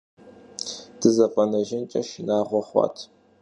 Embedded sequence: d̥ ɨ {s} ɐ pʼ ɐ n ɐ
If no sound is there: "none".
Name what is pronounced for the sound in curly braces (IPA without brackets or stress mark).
z